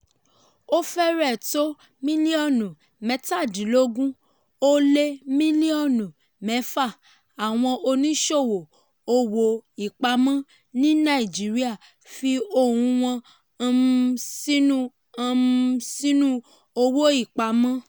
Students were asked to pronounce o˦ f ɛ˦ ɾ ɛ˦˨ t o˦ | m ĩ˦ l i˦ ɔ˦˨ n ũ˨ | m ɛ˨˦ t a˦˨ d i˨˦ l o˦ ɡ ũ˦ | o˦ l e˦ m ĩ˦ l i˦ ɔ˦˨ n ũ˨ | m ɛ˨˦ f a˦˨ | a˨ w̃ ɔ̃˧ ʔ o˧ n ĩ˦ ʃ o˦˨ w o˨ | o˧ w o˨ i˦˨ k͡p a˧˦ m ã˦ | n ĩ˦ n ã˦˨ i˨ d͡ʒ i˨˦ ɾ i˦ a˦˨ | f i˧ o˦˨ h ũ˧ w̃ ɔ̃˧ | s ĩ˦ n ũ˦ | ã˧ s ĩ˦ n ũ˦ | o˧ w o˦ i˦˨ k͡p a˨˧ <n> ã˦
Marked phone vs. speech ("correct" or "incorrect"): incorrect